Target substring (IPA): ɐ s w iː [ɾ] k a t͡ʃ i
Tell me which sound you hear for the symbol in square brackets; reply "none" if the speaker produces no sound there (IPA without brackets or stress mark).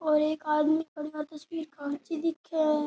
ɾ